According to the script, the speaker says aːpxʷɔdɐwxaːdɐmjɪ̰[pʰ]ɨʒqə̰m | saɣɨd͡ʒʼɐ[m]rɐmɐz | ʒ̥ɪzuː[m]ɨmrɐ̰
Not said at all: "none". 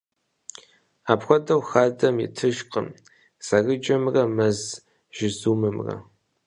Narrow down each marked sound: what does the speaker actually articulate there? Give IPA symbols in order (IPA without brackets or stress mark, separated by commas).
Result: tʰ, m, m